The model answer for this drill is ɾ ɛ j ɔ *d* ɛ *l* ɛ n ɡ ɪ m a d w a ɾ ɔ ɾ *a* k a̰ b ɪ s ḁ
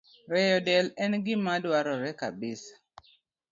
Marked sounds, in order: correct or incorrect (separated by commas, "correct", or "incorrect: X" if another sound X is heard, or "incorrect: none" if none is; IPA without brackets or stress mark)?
correct, correct, incorrect: ɛ